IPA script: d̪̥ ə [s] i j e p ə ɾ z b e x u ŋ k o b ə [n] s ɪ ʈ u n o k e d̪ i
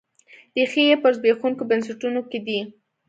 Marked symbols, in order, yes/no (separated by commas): no, yes